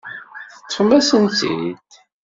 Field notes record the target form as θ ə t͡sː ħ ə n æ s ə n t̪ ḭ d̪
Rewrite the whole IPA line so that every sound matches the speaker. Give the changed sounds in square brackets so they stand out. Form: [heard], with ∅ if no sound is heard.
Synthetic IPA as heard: θ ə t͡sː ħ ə [m] æ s ə n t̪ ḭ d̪